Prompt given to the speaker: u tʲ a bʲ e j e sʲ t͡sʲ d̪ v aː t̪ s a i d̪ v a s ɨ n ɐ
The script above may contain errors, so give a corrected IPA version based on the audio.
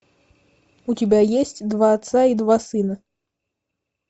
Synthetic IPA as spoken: u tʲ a bʲ a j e sʲ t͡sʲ d̪ v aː t̪ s a i d̪ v a s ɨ n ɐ